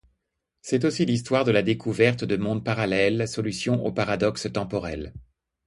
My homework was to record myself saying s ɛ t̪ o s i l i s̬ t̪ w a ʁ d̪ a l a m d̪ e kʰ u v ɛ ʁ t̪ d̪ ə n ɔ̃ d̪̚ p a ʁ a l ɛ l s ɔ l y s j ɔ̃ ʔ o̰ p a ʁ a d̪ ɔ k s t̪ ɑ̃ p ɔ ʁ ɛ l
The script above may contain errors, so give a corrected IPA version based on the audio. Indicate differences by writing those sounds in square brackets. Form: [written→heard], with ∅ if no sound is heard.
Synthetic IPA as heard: s ɛ t̪ o s i l i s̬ t̪ w a ʁ d̪ [a→ə] l a [m→∅] d̪ e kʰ u v ɛ ʁ t̪ d̪ ə [n→m] ɔ̃ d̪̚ p a ʁ a l ɛ l s ɔ l y s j ɔ̃ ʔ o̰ p a ʁ a d̪ ɔ k s t̪ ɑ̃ p ɔ ʁ ɛ l